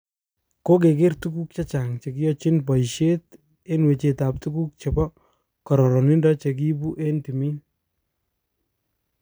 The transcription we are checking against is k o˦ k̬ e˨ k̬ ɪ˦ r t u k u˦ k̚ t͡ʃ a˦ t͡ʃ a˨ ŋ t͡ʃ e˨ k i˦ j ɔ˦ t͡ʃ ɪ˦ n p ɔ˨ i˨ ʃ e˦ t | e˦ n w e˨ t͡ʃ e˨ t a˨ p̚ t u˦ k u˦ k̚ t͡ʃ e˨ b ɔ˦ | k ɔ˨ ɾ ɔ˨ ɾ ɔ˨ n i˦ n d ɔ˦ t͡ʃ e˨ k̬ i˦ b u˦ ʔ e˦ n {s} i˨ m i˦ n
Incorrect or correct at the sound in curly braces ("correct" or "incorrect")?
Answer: incorrect